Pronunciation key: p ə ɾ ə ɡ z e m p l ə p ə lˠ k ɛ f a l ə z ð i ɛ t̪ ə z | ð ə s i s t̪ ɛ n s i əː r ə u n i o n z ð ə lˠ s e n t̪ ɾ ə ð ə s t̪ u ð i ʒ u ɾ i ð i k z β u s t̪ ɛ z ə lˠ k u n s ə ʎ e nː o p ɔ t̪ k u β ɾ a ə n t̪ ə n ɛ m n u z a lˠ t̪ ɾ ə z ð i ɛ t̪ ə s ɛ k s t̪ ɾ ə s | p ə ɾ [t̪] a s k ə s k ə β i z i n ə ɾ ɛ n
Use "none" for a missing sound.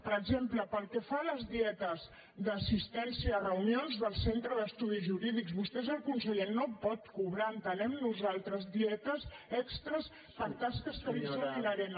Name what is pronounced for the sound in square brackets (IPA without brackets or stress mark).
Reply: t̪